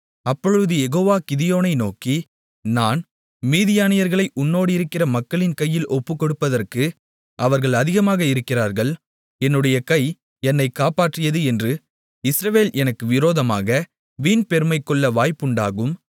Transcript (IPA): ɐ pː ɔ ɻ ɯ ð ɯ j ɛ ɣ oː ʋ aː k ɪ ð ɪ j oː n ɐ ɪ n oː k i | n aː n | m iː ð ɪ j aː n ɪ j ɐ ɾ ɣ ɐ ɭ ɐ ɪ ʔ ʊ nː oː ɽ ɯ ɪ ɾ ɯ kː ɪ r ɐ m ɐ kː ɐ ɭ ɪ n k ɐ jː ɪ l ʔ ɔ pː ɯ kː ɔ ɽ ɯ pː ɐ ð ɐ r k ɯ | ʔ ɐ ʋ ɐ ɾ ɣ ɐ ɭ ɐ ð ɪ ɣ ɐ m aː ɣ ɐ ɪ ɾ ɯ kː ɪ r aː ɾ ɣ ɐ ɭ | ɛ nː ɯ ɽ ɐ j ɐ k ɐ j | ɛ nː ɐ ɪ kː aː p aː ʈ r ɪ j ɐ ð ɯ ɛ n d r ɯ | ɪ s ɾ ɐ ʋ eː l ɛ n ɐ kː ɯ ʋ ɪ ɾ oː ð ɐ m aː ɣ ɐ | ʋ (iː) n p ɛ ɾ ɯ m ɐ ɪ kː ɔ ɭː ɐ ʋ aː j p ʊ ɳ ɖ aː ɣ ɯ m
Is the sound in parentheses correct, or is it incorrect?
correct